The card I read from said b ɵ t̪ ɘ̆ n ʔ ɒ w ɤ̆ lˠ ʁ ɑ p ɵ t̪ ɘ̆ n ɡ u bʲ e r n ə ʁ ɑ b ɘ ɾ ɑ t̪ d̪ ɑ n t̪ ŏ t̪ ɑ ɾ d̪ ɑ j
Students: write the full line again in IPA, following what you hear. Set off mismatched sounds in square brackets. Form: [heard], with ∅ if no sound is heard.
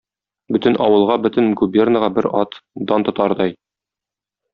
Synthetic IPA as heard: b ɵ t̪ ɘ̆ n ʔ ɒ w ɤ̆ lˠ ʁ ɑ [b] ɵ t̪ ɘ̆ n ɡ u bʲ e r n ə ʁ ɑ b ɘ ɾ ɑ t̪ d̪ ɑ n t̪ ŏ t̪ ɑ ɾ d̪ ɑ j